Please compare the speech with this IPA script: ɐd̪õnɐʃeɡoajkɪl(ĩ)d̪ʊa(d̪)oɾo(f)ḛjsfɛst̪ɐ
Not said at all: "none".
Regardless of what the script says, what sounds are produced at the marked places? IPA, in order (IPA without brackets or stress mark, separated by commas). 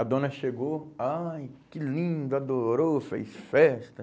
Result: ĩ, d̪, f